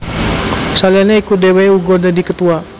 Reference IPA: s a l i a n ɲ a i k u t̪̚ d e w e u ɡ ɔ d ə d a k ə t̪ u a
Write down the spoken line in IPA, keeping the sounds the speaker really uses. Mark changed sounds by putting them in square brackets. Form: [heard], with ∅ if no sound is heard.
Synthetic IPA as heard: s a l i a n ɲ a i k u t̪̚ d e w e u ɡ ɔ d [a] d [i] k ə t̪ u a